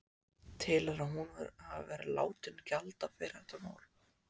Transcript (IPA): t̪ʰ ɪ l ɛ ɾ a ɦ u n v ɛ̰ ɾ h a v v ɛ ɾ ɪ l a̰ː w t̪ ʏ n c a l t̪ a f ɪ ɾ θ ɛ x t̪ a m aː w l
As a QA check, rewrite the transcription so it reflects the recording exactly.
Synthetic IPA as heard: t̪ʰ ɪ l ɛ ɾ a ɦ u n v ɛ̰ ɾ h a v v ɛ ɾ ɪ l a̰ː w t̪ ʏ n c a l t̪ a f ɪ ɾ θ ɛ h t̪ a m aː w l